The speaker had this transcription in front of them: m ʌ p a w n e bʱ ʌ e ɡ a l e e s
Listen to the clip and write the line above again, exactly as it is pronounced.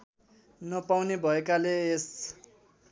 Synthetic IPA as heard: n ʌ p a w n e bʱ ʌ e k a l e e s